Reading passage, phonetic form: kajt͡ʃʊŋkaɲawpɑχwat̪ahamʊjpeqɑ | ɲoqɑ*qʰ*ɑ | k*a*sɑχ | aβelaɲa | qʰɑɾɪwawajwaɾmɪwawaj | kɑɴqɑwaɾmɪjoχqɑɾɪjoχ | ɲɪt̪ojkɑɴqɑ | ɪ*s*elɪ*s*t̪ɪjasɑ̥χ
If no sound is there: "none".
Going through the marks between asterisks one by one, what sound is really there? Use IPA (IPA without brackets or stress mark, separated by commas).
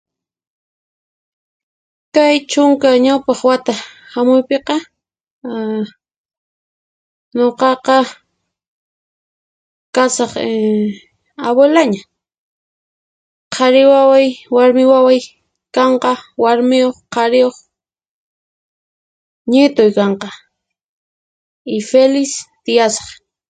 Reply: q, a, f, s